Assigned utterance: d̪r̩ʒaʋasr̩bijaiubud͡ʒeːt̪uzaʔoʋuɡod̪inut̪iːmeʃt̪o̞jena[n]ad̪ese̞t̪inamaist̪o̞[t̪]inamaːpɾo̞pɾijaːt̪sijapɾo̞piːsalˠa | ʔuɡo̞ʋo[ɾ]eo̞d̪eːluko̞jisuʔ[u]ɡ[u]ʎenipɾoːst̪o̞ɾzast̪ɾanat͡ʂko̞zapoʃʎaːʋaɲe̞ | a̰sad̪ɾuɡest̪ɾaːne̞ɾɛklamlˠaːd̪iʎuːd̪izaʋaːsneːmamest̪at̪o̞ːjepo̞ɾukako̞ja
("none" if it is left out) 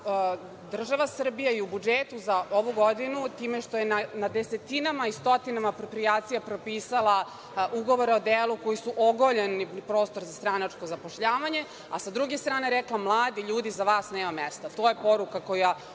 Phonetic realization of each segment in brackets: n, t̪, ɾ, o, o

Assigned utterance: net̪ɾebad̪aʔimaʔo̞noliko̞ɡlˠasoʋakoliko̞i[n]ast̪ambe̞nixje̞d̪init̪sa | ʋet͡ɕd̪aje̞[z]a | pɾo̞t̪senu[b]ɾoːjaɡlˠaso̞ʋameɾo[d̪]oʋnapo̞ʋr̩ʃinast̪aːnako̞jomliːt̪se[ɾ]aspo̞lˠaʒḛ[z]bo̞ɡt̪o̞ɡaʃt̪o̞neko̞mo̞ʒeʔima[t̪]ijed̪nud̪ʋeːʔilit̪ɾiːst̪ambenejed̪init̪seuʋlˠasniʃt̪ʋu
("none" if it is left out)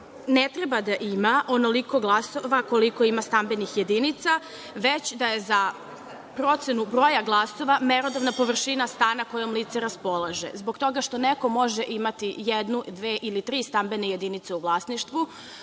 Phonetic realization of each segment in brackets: m, z, b, d̪, ɾ, z, t̪

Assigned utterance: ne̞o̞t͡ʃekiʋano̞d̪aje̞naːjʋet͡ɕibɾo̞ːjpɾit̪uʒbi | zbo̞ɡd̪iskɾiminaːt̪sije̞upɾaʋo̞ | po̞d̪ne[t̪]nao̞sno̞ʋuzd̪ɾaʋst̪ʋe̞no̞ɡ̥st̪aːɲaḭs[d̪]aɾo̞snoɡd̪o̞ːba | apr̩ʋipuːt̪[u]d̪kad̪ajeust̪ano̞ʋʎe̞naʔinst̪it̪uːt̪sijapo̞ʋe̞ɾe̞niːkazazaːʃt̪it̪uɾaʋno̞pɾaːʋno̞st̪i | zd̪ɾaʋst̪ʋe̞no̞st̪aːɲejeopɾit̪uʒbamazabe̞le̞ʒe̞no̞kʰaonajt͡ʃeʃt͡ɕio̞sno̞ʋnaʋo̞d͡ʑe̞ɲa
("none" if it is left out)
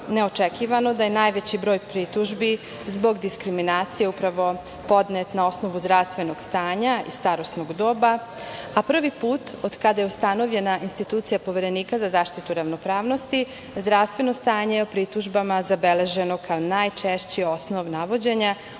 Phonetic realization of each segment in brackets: t̪, t̪, o

